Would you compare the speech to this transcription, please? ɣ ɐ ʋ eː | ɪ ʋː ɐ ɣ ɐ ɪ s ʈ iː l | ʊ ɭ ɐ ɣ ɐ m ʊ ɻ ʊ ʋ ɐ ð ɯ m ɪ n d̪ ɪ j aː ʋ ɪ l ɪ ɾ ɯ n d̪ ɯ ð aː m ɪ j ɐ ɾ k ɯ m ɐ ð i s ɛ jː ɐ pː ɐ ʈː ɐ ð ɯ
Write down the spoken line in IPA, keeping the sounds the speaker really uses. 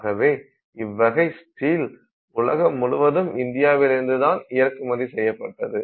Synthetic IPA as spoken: ɣ ɐ ʋ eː | ɪ ʋː ɐ ɣ ɐ ɪ s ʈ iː l | ʊ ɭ ɐ ɣ ɐ m ʊ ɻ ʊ ʋ ɐ ð ɯ m ɪ n d̪ ɪ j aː ʋ ɪ l ɪ ɾ ɯ n d̪ ɯ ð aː n ɪ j ɐ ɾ k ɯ m ɐ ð i s ɛ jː ɐ pː ɐ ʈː ɐ ð ɯ